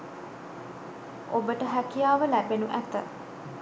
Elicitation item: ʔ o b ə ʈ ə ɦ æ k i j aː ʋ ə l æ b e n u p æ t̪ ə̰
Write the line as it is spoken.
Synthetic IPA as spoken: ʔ o b ə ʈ ə ɦ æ k i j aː ʋ ə l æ b e n u ʔ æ t̪ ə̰